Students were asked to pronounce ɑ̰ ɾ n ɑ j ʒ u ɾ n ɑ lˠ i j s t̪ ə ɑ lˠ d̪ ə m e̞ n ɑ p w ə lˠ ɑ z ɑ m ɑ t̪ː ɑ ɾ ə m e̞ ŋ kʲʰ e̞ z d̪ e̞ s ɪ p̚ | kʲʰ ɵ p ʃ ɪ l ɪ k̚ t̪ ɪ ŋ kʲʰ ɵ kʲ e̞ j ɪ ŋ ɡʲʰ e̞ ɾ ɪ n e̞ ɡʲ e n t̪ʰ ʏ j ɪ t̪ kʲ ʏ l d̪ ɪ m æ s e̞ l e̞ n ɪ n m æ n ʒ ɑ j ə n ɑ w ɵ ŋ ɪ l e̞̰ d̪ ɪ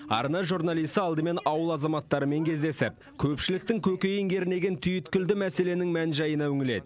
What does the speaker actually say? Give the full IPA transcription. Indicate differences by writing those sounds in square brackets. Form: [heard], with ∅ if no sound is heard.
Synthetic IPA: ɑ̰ ɾ n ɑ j ʒ u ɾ n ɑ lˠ i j s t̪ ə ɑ lˠ d̪ ə m e̞ n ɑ [∅] w ə lˠ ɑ z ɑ m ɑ t̪ː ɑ ɾ ə m e̞ ŋ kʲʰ e̞ z d̪ e̞ s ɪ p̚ | kʲʰ ɵ p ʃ ɪ l ɪ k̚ t̪ ɪ ŋ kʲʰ ɵ kʲ e̞ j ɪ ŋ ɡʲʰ e̞ ɾ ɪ n e̞ ɡʲ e n t̪ʰ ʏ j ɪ t̪ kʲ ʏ l d̪ ɪ m æ s e̞ l e̞ n ɪ [ŋ] m æ n ʒ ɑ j ə n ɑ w ɵ ŋ ɪ l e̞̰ d̪ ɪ

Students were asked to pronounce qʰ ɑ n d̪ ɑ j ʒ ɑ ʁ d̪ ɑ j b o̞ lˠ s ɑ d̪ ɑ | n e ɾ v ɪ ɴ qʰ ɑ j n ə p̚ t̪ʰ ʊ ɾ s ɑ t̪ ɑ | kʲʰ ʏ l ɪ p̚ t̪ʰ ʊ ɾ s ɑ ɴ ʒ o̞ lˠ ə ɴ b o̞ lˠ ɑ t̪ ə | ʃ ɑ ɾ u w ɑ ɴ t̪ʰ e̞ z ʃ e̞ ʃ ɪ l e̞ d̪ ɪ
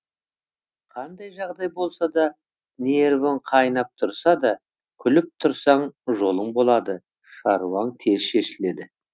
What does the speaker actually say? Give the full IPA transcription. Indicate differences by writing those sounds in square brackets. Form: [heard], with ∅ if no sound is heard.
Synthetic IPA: qʰ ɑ n d̪ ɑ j ʒ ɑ ʁ d̪ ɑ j b o̞ lˠ s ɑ d̪ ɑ | n e ɾ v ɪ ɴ qʰ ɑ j n [ɑ] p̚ t̪ʰ ʊ ɾ s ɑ [d̪] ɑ | kʲʰ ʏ l ɪ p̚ t̪ʰ ʊ ɾ s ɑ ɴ ʒ o̞ lˠ ə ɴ b o̞ lˠ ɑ [d̪] ə | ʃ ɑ ɾ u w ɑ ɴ t̪ʰ e̞ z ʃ e̞ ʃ ɪ l e̞ d̪ ɪ

